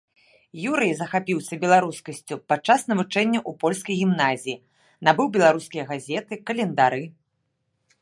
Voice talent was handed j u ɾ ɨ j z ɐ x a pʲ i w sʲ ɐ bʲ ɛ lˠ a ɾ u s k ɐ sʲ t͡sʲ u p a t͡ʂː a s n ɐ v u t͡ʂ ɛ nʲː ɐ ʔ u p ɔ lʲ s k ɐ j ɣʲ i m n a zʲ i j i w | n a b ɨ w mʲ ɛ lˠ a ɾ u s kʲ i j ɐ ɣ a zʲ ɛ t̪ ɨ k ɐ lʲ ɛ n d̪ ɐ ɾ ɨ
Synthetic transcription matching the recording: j u ɾ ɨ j z ɐ x a pʲ i w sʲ ɐ bʲ ɛ lˠ a ɾ u s k ɐ sʲ t͡sʲ u p a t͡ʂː a s n ɐ v u t͡ʂ ɛ nʲː ɐ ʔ u p ɔ lʲ s k ɐ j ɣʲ i m n a zʲ i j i | n a b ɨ w bʲ ɛ lˠ a ɾ u s kʲ i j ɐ ɣ a zʲ ɛ t̪ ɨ k ɐ lʲ ɛ n d̪ a ɾ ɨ